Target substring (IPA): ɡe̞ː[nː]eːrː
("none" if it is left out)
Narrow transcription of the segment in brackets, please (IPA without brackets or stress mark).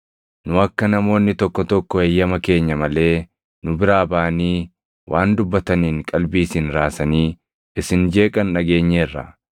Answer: ɲː